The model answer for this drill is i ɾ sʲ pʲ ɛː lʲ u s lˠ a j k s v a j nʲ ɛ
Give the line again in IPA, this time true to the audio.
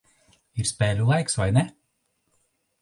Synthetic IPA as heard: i ɾ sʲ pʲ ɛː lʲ u lˠ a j k s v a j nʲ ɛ